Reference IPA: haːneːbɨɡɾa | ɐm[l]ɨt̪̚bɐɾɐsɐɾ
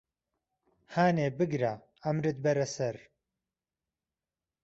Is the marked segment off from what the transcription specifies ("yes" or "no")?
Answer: yes